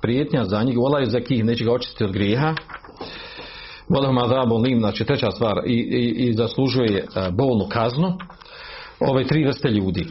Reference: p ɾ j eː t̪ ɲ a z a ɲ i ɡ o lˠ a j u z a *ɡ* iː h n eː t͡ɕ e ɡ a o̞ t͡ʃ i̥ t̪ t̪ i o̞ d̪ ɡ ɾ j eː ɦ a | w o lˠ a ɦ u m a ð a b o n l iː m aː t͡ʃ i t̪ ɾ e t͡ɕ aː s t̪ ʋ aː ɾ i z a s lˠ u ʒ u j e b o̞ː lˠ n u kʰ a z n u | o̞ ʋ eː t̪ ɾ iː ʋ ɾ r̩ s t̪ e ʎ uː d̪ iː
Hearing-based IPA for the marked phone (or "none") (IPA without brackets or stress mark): k